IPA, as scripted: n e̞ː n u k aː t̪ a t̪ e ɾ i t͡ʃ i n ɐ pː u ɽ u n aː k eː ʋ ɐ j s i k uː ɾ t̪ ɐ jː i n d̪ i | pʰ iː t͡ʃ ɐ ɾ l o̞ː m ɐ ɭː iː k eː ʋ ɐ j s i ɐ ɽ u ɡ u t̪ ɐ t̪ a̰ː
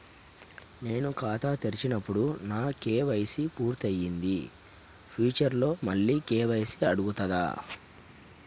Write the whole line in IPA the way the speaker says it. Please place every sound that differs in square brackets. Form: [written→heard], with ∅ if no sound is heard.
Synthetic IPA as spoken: n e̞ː n u k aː t̪ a t̪ e ɾ i t͡ʃ i n ɐ pː u ɽ u n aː k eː ʋ ɐ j s i [k→p] uː ɾ t̪ ɐ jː i n d̪ i | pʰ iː t͡ʃ ɐ ɾ l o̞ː m ɐ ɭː iː k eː ʋ ɐ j s i ɐ ɽ u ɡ u t̪ ɐ [t̪→d̪] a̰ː